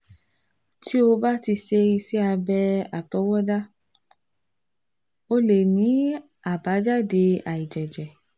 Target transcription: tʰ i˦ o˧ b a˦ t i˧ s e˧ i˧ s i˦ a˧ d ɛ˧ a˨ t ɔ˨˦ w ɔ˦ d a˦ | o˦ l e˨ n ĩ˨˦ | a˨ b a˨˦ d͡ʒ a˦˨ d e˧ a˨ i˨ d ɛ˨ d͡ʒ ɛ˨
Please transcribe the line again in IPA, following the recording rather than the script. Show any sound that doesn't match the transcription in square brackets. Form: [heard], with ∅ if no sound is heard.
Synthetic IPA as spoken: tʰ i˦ o˧ b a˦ t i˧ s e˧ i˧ s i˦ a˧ [b] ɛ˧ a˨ t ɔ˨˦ w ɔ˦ d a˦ | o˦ l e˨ n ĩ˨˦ | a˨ b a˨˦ d͡ʒ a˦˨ d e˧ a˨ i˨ [d͡ʒ] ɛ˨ d͡ʒ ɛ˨